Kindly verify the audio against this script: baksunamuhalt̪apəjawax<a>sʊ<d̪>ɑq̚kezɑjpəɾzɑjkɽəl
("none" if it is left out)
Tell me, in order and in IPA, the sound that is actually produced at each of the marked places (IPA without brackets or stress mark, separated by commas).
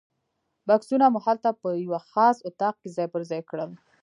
ɑ, t̪